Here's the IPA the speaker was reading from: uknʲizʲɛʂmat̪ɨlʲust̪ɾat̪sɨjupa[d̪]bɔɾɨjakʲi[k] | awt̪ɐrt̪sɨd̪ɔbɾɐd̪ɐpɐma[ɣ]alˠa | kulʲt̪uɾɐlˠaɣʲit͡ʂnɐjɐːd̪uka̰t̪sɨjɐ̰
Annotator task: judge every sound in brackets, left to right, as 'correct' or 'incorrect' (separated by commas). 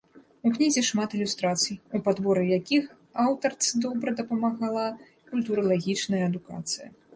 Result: correct, incorrect, correct